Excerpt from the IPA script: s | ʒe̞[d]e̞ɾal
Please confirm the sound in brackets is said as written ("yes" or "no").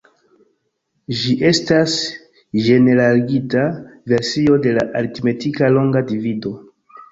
no